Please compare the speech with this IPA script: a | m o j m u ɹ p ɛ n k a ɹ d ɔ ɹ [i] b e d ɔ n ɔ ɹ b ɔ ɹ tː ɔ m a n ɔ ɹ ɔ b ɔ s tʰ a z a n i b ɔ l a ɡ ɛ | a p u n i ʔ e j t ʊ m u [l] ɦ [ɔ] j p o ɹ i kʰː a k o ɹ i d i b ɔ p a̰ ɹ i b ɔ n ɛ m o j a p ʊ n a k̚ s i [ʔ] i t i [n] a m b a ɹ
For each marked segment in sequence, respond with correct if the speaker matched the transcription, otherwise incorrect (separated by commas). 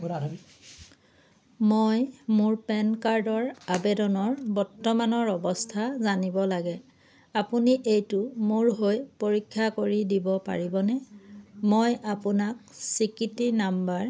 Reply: incorrect, incorrect, incorrect, incorrect, correct